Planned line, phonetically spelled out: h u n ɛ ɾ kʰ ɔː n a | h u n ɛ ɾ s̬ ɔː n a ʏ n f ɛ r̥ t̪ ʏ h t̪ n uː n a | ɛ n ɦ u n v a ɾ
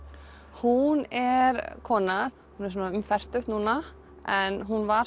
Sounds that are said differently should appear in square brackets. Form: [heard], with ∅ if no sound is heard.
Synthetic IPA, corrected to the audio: h u n ɛ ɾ kʰ ɔː n a | h u n ɛ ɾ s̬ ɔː n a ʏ [m] f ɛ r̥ t̪ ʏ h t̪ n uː n a | ɛ n ɦ u n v a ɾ

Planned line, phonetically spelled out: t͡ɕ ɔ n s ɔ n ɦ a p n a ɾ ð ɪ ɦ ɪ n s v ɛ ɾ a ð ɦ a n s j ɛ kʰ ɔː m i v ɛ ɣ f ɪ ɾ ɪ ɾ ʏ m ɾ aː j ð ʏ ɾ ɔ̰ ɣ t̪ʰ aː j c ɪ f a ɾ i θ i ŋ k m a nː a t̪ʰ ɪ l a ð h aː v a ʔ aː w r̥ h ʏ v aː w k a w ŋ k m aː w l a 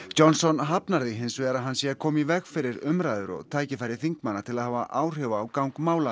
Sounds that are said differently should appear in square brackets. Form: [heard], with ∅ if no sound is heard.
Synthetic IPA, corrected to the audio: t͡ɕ ɔ n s ɔ n ɦ a p n a ɾ ð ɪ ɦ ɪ n s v ɛ ɾ a ð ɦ a n s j ɛ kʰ ɔː m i v ɛ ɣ f ɪ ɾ ɪ ɾ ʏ m ɾ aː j ð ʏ ɾ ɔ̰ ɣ t̪ʰ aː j c ɪ f a ɾ [ɪ] θ i ŋ k m a nː a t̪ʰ ɪ l a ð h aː v a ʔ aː w r̥ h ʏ v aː w k a w ŋ k m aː w l a

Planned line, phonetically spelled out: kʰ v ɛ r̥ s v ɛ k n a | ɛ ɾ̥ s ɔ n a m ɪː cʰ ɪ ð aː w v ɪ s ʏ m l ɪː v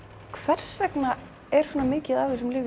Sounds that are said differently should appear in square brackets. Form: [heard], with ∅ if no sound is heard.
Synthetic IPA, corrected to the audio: kʰ v ɛ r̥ s v ɛ k n a | ɛ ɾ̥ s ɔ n a m ɪː [c] ɪ ð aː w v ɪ s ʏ m l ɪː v

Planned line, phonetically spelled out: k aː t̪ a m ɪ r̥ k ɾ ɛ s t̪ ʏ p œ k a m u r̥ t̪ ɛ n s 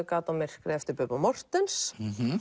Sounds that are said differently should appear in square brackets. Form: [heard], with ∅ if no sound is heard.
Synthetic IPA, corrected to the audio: k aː t̪ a m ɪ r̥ k ɾ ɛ [f] t̪ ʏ p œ [p] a m [ɔ] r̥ t̪ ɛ n s

